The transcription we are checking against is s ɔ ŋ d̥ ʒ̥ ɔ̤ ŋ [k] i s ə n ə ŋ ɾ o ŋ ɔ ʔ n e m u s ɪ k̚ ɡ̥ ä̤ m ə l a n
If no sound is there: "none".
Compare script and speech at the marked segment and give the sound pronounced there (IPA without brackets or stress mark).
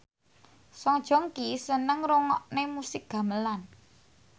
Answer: k